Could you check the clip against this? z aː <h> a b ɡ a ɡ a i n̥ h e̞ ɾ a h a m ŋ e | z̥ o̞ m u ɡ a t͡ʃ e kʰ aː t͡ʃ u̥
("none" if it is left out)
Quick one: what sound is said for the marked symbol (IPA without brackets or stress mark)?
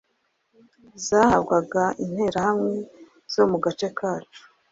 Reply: h